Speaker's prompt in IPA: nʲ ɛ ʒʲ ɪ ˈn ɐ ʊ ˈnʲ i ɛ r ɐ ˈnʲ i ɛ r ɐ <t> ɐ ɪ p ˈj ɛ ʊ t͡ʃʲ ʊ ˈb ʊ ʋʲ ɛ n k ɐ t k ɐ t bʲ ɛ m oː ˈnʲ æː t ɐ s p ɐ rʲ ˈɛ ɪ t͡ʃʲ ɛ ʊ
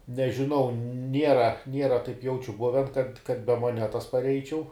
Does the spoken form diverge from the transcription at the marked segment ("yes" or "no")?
no